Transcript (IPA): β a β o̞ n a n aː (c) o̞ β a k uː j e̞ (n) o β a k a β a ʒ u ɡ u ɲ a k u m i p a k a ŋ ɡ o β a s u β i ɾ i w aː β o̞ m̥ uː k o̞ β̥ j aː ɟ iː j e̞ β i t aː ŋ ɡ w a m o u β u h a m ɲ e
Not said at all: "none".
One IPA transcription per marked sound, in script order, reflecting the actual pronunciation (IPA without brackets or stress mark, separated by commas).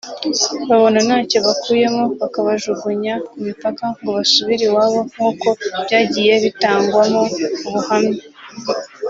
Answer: c, m